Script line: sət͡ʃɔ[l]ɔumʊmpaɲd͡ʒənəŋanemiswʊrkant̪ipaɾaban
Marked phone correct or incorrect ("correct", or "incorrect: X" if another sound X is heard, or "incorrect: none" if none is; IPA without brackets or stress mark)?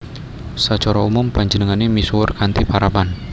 incorrect: ɾ